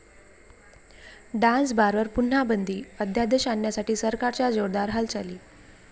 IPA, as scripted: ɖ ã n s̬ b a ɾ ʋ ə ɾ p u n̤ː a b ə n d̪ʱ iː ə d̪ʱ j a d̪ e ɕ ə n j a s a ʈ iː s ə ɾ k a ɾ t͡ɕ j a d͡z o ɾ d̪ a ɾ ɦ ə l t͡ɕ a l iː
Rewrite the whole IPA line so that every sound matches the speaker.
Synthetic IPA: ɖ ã n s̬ b a ɾ ʋ ə ɾ p u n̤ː a b ə n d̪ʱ iː ə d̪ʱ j a d̪ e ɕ a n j a s a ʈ iː s ə ɾ k a ɾ t͡ɕ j a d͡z o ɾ d̪ a ɾ ɦ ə l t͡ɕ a l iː